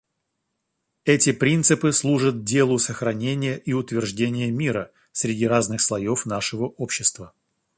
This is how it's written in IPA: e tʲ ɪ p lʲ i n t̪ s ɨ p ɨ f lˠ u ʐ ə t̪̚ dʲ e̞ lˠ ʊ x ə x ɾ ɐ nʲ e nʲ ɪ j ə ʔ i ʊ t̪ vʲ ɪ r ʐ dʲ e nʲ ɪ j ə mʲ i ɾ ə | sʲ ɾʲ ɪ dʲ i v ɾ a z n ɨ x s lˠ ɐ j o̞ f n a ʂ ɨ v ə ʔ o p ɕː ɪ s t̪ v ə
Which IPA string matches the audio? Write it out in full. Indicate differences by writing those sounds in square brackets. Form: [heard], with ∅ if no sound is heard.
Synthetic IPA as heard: [ɛ] tʲ ɪ p [ɾʲ] i n t̪ s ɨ p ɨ [s] lˠ u ʐ ə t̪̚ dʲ e̞ lˠ ʊ [s] ə x ɾ ɐ nʲ e nʲ ɪ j ə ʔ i ʊ t̪ vʲ ɪ r ʐ dʲ e nʲ ɪ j ə mʲ i ɾ ə | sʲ ɾʲ ɪ dʲ i [∅] ɾ a z n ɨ x s lˠ ɐ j o̞ f n a ʂ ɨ v ə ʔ o p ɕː ɪ s t̪ v ə